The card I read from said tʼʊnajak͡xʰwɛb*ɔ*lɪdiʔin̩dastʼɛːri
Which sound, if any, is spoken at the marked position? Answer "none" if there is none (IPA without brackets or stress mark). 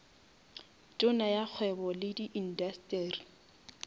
ɔ